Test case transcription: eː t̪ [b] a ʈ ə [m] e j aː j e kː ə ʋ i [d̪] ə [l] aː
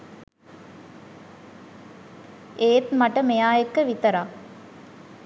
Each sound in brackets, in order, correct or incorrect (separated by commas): incorrect, correct, incorrect, incorrect